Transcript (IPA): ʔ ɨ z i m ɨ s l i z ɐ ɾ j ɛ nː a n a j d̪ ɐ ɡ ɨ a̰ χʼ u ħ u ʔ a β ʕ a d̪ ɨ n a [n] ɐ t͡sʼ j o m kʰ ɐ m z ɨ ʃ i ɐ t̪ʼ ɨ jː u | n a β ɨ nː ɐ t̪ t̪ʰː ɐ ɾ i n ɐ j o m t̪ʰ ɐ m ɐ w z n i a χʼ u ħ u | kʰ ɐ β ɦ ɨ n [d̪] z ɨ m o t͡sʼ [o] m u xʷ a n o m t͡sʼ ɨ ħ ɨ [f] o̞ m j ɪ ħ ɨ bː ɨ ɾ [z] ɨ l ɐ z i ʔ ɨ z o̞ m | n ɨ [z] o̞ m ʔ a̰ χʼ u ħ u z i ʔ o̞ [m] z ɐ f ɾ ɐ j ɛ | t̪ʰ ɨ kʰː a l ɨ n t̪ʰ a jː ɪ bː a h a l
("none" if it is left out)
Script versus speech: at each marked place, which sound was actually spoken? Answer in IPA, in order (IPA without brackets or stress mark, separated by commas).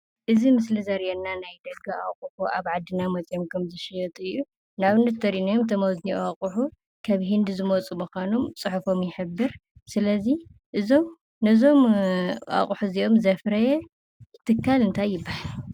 m, d̪, u, f, s, z, m